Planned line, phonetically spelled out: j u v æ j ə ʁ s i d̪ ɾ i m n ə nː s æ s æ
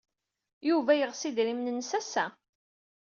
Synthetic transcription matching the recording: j u v æ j ə ʁ s i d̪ ɾ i m n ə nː s æ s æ

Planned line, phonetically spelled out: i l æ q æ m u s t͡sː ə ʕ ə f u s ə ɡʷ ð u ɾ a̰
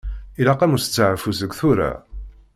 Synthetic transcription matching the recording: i l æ q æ m u s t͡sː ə ʕ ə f u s ə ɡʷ θ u ɾ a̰

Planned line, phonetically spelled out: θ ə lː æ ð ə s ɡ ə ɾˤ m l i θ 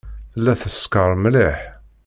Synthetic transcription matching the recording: θ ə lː æ θ ə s k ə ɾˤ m l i ħ

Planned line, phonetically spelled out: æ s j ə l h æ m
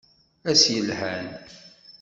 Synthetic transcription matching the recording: æ s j ə l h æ n

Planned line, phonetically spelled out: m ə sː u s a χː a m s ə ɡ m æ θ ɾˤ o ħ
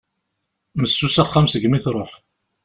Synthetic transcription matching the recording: m ə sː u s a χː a m s ə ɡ m i θ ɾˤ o ħ

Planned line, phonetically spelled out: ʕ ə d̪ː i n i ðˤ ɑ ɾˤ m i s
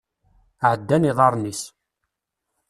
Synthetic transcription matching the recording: ʕ ə d̪ː æ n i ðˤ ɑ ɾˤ n i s

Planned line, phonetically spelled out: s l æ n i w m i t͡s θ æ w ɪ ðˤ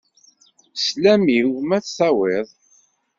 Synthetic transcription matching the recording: s l æ m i w m æ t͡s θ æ w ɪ ðˤ

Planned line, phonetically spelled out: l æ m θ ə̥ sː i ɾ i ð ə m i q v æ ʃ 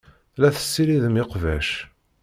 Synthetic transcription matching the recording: l æ θ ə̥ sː i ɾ i ð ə m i q v æ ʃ

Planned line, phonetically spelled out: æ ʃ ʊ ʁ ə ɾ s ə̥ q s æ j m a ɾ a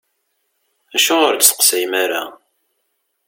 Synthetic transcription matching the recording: æ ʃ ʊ ʁ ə ɾ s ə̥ q s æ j m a ɾ a

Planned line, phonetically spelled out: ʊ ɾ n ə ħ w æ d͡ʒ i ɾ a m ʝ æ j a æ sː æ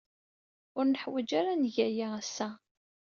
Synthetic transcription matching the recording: ʊ ɾ n ə ħ w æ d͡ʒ a ɾ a n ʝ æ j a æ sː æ

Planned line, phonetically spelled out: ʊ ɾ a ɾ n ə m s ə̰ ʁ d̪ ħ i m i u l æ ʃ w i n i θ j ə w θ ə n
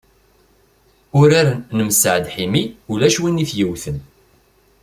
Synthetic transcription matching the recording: ʊ ɾ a ɾ n ə m s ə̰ ʕ d̪ ħ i m i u l æ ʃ w i n i θ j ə w θ ə n

